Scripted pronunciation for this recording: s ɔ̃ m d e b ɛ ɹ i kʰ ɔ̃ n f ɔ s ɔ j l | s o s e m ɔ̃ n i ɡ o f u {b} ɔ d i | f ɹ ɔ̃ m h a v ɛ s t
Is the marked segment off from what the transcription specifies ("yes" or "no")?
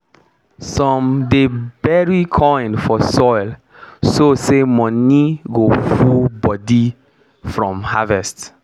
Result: no